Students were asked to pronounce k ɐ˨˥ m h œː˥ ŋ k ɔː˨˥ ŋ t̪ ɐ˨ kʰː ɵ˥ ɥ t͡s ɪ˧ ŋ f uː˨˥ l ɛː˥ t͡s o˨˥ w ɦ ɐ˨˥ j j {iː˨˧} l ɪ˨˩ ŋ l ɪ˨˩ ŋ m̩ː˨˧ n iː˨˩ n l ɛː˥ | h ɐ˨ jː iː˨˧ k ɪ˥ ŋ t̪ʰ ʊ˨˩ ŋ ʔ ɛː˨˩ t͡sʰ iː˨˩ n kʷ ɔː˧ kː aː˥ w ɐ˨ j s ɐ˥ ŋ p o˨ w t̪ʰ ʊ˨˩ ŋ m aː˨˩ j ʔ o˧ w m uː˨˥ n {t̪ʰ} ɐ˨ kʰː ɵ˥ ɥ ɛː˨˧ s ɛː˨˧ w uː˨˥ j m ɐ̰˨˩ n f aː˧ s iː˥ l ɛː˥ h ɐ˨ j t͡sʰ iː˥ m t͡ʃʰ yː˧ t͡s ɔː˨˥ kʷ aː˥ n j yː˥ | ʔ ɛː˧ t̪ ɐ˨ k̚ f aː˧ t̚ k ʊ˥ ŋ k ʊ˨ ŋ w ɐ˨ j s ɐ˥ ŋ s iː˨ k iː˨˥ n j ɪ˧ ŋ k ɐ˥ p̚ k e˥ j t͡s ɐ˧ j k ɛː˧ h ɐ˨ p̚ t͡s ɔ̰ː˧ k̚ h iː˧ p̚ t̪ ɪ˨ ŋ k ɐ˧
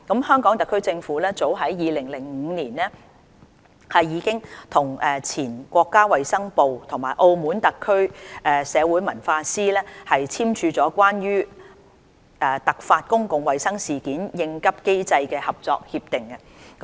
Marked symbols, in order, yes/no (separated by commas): yes, no